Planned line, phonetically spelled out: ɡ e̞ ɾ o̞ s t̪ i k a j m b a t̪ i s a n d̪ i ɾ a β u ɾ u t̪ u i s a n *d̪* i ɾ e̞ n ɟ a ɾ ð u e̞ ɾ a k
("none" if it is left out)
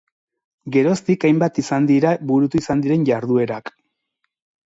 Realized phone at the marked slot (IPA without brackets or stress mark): d̪